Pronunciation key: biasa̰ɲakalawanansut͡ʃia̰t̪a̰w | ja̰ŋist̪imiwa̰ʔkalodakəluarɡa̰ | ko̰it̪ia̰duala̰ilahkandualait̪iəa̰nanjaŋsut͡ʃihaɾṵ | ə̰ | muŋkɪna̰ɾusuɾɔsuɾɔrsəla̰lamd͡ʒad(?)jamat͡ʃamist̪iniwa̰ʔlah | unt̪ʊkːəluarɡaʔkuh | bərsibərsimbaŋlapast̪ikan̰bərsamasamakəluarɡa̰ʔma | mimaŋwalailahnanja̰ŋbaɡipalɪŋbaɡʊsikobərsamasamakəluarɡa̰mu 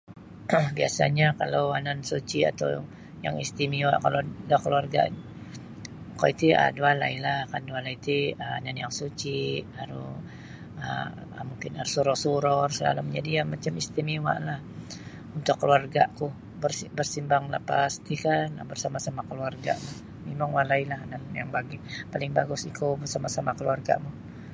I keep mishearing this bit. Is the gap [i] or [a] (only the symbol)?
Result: i